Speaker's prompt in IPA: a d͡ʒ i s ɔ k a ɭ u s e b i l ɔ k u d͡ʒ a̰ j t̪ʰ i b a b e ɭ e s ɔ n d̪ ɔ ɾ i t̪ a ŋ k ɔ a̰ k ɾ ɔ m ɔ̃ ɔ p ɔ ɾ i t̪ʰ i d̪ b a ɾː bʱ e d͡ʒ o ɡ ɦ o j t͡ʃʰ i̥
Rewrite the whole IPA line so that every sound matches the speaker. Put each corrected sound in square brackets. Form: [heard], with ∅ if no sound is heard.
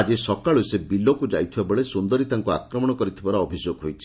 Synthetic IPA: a d͡ʒ i s ɔ k a ɭ u s e b i l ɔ k u d͡ʒ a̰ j t̪ʰ i b a b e ɭ e s [u] n d̪ ɔ ɾ i t̪ a ŋ k [u] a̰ k ɾ ɔ m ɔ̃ ɔ [k] ɔ ɾ i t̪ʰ i [∅] b a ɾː bʱ [i] d͡ʒ o ɡ ɦ o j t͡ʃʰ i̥